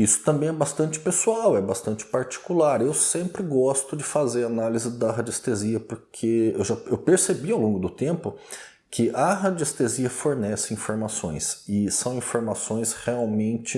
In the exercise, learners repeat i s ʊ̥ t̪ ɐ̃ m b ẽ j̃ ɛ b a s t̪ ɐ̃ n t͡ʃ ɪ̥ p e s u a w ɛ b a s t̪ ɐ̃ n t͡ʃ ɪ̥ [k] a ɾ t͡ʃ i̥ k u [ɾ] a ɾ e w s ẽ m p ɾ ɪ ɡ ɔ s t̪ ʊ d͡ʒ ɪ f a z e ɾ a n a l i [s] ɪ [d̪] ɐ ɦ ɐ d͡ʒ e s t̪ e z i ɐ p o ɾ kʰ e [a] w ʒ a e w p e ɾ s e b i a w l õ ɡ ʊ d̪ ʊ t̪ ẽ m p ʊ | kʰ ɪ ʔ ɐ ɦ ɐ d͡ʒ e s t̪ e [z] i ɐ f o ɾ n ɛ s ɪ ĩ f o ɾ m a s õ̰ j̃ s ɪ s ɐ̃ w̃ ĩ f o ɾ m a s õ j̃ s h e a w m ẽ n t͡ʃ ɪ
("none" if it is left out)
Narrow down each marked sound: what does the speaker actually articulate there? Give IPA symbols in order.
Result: p, l, z, d̪, e, z

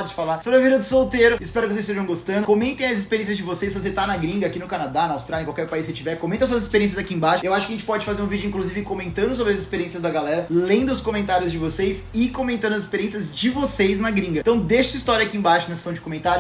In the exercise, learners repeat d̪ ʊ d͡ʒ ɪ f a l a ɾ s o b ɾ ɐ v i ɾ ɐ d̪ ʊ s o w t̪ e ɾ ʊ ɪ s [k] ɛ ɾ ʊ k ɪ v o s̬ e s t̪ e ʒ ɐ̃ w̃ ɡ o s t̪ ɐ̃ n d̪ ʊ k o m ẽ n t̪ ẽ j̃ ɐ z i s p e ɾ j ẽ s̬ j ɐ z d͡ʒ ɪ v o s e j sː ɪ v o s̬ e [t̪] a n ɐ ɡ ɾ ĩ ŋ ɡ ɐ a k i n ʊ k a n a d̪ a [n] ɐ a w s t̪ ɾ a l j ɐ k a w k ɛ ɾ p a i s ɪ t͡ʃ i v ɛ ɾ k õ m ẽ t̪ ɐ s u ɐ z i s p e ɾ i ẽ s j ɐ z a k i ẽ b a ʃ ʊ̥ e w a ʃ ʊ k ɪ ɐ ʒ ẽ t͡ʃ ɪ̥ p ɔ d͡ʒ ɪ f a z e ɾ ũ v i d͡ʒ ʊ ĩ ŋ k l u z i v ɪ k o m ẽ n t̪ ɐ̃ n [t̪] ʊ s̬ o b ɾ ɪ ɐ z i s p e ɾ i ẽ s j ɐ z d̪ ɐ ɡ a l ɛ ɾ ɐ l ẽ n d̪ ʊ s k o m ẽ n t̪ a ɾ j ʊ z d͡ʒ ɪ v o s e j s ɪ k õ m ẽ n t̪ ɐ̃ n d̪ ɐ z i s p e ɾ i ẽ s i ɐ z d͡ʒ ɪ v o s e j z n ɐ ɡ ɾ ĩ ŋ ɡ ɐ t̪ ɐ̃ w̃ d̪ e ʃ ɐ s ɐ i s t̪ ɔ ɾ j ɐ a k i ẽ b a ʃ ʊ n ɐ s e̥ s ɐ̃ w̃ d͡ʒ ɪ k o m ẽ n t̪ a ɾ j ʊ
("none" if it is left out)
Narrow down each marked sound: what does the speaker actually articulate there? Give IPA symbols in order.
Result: p, t̪, n, d̪

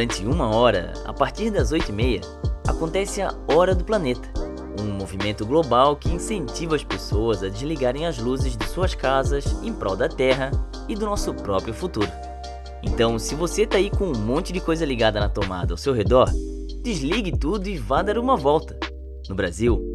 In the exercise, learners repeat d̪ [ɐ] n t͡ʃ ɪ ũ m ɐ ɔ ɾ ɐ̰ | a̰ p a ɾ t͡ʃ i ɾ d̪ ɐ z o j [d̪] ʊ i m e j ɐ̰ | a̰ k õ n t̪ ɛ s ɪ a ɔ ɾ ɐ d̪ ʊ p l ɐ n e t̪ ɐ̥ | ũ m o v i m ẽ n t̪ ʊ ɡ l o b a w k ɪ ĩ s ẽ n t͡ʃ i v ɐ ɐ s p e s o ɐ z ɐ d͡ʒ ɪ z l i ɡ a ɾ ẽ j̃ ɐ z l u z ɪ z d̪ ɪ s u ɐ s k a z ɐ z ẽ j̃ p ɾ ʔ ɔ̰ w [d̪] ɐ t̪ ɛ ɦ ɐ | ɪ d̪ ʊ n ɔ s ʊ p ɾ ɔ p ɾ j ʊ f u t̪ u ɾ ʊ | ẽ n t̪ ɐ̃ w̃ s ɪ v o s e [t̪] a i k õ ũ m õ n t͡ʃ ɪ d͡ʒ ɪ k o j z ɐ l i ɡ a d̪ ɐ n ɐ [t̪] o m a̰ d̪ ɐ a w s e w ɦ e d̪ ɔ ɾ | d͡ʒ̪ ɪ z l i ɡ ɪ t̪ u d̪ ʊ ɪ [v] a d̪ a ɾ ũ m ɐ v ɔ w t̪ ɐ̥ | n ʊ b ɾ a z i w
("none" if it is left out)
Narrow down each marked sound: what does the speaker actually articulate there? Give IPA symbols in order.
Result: ɐ̃, t̪, d̪, t̪, t̪, v

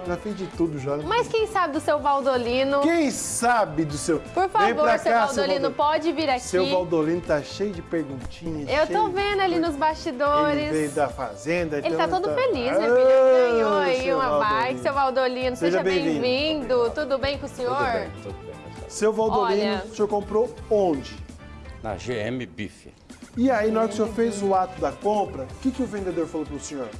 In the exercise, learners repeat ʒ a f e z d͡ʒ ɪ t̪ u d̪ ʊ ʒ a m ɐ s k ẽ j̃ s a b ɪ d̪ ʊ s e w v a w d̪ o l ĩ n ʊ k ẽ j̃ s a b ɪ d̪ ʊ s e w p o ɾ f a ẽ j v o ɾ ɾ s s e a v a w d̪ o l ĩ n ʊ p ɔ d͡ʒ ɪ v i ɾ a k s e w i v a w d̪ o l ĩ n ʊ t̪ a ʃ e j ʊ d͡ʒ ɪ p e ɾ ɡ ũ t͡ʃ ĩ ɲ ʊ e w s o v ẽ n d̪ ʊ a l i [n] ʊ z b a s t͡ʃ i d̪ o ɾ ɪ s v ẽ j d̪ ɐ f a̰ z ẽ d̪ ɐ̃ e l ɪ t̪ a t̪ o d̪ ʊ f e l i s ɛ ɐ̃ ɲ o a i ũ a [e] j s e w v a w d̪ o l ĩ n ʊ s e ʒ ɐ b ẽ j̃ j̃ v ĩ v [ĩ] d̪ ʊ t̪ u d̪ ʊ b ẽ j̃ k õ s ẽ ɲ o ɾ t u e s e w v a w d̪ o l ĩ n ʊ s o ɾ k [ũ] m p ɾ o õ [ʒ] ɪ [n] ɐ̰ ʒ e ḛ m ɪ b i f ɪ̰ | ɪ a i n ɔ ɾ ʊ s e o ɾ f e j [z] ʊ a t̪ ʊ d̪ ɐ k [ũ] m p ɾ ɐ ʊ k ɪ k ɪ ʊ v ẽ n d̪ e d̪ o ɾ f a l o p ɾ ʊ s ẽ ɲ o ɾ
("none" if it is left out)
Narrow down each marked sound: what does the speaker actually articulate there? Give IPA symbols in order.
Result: n, a, ĩ, õ, d͡ʒ, n, z, õ

